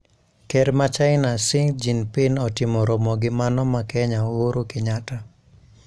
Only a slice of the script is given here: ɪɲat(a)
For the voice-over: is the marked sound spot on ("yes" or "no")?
yes